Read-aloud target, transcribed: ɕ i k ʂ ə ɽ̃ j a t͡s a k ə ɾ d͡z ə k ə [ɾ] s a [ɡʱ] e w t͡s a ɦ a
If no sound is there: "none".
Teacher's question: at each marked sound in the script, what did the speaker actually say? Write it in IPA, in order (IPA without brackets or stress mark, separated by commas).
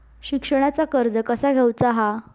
none, ɡʱ